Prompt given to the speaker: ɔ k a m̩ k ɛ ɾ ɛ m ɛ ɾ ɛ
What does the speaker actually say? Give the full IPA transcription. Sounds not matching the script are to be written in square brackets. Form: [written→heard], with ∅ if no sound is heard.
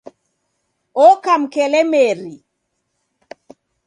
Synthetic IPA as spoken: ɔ k a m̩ k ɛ [ɾ→l] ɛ m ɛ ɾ [ɛ→i]